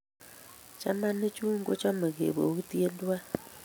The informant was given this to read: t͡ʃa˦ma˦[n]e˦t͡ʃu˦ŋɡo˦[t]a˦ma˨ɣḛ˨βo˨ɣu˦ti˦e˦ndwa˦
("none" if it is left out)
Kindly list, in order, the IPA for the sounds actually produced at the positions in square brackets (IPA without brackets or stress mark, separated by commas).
n, t͡ʃ